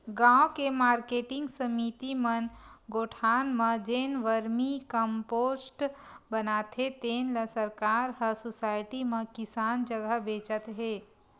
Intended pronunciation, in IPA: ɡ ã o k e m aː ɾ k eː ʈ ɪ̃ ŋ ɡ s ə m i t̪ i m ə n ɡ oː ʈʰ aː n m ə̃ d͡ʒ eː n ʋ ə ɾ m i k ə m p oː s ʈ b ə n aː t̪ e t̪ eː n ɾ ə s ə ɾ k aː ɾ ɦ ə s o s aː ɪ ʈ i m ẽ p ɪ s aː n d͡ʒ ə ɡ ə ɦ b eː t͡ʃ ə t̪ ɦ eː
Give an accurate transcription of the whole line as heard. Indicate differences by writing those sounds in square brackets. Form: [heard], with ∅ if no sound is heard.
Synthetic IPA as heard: ɡ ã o k e m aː ɾ k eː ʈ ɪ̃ ŋ ɡ s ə m i t̪ i m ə n ɡ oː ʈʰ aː n m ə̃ d͡ʒ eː n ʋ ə ɾ m i k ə m p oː s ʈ b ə n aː t̪ e t̪ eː n [l] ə s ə ɾ k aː ɾ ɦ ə s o s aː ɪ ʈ i m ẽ [k] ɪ s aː n d͡ʒ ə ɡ ə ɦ b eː t͡ʃ ə t̪ ɦ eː